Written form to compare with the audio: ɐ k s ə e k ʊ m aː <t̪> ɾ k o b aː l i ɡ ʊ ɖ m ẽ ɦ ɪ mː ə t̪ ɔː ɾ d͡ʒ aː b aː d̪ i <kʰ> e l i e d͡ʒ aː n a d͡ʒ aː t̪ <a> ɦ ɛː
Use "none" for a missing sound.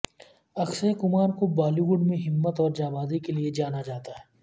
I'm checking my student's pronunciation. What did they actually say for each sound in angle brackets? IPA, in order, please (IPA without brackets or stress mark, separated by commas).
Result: none, k, a